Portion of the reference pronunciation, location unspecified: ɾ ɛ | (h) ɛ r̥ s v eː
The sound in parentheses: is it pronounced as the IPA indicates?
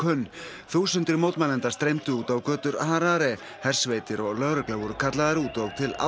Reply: yes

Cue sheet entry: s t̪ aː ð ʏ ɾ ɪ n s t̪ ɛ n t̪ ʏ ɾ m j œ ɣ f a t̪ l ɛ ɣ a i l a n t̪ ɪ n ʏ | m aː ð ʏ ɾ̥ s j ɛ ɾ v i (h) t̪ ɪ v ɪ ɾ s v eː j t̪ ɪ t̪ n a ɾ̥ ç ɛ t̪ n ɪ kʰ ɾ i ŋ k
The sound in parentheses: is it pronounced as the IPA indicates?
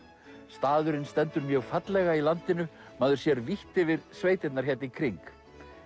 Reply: yes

